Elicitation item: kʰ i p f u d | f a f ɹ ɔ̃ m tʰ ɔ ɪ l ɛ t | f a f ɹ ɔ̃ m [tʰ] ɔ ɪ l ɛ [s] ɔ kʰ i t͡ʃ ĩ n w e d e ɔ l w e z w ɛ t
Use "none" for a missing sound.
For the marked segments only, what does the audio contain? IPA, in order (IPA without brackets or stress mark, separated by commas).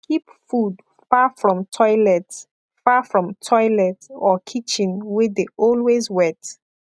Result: tʰ, t